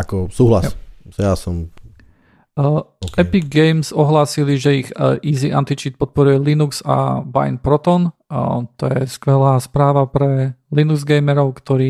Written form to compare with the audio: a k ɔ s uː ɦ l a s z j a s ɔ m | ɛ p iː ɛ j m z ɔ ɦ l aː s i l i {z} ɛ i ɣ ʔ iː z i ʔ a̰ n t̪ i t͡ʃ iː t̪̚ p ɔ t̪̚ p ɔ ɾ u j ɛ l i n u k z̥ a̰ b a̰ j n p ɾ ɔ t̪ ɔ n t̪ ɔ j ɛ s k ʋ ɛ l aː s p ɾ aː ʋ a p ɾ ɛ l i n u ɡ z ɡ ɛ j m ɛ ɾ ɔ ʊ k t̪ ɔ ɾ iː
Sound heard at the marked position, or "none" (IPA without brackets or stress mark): ʒ